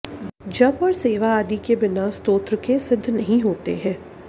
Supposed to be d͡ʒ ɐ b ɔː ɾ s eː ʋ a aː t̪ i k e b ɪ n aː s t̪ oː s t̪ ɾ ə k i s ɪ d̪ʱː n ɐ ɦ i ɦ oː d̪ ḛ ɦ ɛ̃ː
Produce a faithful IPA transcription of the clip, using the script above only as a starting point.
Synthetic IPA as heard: d͡ʒ ɐ b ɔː ɾ s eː ʋ a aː d̪ i k e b ɪ n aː s t̪ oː t̪ ɾ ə k e s ɪ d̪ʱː n ɐ ɦ ĩ ɦ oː t̪ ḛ ɦ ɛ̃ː